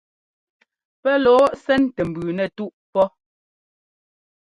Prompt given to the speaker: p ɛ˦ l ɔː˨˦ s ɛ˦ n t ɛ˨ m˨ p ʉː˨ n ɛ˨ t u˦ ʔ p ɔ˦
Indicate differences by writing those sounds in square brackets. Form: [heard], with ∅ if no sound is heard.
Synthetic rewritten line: p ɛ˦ l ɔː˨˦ s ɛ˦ n t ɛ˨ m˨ [b] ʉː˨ n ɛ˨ t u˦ ʔ p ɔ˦

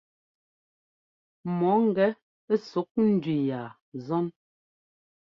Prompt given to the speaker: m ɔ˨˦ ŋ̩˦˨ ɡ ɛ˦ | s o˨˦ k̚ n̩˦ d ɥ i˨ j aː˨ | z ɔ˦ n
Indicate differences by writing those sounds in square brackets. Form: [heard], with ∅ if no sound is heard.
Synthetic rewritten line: m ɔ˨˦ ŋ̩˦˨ ɡ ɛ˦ | s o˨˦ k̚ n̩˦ d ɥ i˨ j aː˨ | z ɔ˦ n

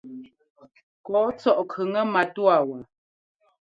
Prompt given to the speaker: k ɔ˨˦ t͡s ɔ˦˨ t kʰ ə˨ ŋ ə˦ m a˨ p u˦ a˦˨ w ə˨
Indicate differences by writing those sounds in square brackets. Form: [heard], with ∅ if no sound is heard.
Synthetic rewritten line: k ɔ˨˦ t͡s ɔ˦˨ [ʔ] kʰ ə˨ ŋ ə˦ m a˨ [t] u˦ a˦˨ w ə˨

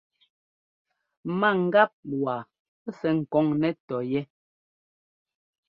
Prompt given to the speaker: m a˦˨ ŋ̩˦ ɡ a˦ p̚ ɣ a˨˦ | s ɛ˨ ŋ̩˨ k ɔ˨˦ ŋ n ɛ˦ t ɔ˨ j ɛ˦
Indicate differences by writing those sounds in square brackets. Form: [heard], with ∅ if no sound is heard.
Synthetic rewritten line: m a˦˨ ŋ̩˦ ɡ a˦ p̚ [w] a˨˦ | s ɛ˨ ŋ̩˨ k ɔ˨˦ ŋ n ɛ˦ t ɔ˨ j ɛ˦

